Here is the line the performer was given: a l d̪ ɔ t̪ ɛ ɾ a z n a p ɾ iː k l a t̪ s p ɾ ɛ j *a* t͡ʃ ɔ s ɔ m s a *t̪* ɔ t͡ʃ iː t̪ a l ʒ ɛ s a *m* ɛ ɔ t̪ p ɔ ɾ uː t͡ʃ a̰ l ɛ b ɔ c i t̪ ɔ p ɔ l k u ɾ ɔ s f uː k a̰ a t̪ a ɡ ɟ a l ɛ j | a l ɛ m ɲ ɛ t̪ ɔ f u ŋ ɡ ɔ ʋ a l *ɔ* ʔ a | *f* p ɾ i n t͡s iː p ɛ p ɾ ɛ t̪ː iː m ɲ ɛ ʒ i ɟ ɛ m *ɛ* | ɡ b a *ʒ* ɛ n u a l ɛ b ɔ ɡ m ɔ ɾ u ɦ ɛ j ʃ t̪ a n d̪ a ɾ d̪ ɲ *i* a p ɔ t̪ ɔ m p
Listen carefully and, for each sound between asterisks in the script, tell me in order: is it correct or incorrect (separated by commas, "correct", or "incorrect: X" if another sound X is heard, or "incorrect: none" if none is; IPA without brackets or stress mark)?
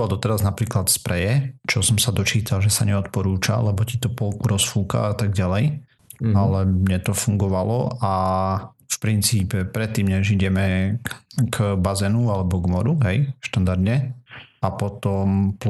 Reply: incorrect: ɛ, incorrect: d̪, incorrect: ɲ, correct, correct, correct, incorrect: z, incorrect: ɛ